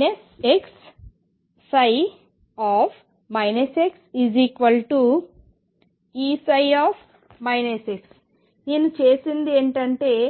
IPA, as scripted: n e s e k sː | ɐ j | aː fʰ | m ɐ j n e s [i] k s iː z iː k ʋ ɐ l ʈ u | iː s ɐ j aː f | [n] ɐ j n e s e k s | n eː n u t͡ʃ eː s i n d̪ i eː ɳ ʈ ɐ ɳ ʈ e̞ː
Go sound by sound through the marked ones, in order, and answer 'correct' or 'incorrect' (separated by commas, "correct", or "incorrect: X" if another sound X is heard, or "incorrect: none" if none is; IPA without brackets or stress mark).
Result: incorrect: e, incorrect: m